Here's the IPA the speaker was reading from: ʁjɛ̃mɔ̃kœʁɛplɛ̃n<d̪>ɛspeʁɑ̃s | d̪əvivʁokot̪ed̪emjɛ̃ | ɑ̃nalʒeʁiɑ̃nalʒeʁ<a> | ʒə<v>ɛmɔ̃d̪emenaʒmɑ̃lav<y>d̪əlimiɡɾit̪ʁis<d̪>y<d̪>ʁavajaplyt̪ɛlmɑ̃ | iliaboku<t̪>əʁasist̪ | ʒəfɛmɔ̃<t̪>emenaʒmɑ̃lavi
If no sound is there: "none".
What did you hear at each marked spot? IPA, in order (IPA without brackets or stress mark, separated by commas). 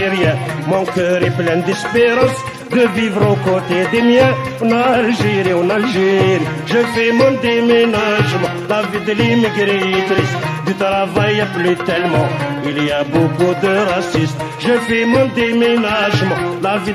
d̪, i, f, i, d̪, t̪, d̪, d̪